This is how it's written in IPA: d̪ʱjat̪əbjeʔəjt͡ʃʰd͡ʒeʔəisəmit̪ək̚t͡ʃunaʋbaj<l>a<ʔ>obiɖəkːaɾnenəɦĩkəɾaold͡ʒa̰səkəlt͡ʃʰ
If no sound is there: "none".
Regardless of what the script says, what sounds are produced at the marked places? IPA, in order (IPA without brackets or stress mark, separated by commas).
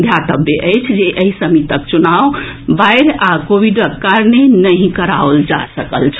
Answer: ɾ, k